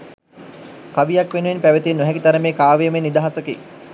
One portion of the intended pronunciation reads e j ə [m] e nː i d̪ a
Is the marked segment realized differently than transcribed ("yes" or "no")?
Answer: no